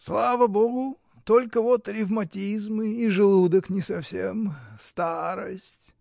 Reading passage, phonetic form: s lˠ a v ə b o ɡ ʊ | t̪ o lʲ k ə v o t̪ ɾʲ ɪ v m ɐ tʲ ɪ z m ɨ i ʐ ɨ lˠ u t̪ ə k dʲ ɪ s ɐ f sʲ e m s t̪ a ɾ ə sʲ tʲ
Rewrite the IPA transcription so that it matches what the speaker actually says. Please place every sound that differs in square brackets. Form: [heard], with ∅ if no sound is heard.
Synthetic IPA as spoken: s lˠ a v ə b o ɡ ʊ | t̪ o lʲ k ə v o t̪ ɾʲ ɪ v m ɐ tʲ [i] z m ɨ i ʐ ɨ lˠ u [d̪] ə k [nʲ] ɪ s ɐ f sʲ e m s t̪ a ɾ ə sʲ tʲ